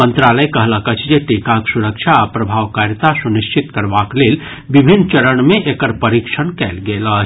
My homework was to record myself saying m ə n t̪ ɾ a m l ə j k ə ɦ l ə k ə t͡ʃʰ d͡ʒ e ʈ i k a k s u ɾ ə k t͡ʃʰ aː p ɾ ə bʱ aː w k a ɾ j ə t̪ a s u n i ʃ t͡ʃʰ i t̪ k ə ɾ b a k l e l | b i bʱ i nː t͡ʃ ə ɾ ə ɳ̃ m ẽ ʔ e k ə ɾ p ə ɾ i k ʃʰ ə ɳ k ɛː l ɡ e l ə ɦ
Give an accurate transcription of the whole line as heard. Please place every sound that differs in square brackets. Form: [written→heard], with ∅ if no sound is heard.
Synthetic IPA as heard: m ə n t̪ ɾ a [m→∅] l ə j k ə ɦ l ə k ə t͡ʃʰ d͡ʒ e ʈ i k a k s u ɾ ə k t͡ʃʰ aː p ɾ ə bʱ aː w k a ɾ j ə t̪ a s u n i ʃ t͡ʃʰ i t̪ k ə ɾ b a k l e l | b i bʱ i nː t͡ʃ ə ɾ ə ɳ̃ m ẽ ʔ e k ə ɾ p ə ɾ i k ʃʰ ə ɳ k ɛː l ɡ e l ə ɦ